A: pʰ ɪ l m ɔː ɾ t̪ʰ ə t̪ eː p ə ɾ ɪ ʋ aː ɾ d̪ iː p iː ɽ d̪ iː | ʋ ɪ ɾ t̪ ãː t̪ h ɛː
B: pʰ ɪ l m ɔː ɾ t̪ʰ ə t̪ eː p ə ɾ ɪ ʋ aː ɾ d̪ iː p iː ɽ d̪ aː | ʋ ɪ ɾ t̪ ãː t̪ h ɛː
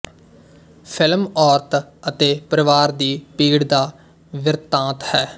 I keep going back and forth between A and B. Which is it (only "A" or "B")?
B